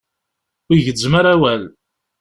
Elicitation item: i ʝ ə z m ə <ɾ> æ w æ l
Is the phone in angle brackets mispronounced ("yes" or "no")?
no